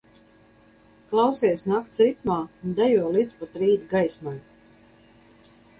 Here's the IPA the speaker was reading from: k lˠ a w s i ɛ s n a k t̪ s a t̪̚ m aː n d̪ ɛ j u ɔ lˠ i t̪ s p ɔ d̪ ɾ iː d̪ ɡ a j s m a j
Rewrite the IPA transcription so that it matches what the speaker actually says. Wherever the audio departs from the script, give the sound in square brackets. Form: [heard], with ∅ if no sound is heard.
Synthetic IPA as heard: k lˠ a w s i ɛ s n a k t̪ s [i] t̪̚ m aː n d̪ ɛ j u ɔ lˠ i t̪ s p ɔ [t̪] ɾ iː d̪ ɡ a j s m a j